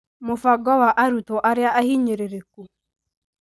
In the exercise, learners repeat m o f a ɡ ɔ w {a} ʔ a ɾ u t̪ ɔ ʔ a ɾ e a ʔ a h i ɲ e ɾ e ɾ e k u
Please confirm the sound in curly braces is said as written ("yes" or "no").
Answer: yes